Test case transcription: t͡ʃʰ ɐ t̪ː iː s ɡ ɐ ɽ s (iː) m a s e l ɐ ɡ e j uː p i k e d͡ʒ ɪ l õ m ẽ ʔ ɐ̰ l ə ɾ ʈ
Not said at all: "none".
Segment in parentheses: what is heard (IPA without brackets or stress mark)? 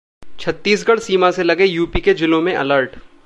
iː